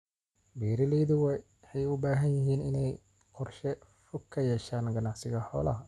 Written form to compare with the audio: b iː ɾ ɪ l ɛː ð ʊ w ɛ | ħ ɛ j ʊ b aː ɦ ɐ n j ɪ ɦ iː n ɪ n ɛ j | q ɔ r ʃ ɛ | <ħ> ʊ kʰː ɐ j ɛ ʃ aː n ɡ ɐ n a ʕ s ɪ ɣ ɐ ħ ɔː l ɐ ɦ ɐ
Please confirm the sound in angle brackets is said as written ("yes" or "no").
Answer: no